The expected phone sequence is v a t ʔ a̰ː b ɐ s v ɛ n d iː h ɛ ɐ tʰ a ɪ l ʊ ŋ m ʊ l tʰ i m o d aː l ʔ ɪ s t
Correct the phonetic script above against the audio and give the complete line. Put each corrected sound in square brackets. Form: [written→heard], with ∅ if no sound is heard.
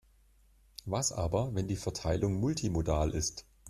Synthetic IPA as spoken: v a [t→s] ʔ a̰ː b ɐ [s→∅] v ɛ n d iː [h→f] ɛ ɐ tʰ a ɪ l ʊ ŋ m ʊ l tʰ i m o d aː l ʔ ɪ s t